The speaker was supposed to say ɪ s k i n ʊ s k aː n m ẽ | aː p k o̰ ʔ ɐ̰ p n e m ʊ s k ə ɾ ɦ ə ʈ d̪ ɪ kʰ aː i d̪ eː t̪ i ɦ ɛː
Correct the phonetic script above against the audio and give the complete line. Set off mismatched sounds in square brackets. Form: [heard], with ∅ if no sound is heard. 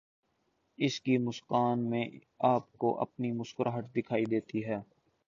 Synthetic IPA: ɪ s k i [m] ʊ s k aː n m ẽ | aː p k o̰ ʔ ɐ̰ p n [i] m ʊ s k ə ɾ ɦ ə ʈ d̪ ɪ kʰ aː i d̪ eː t̪ i ɦ ɛː